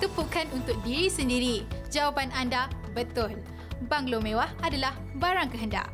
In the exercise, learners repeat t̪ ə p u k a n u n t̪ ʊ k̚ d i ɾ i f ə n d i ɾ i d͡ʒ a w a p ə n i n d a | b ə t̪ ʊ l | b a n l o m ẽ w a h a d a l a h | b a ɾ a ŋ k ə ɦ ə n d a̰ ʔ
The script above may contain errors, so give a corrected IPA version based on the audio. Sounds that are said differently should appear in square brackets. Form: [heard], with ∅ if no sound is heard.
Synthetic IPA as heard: t̪ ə p u k a n u n t̪ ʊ k̚ d i ɾ i [s] ə n d i ɾ i d͡ʒ a w a p [a] n [a] n d a | b ə t̪ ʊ l | b a [ŋ] l o m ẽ w a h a d a l a h | b a ɾ a ŋ k ə ɦ ə n d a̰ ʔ